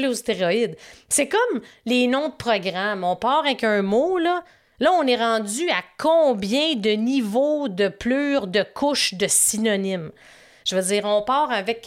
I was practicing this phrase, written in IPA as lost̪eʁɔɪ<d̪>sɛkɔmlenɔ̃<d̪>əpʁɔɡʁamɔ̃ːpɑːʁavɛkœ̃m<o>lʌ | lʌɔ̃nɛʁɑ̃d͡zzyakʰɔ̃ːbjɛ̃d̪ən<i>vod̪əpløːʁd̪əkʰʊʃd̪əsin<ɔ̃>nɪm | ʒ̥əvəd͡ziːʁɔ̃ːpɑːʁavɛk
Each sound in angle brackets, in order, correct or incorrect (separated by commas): correct, correct, correct, correct, incorrect